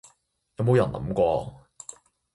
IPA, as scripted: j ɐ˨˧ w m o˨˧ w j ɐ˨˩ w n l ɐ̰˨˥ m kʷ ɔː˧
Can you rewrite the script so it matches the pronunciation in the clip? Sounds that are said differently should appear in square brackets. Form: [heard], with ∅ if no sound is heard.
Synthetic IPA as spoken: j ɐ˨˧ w m o˨˧ w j ɐ˨˩ [∅] n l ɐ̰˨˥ m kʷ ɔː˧